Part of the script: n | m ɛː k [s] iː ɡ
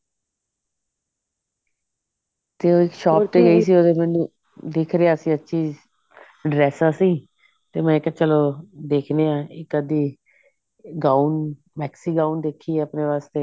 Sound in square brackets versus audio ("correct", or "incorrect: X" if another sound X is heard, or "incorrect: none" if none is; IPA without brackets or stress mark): correct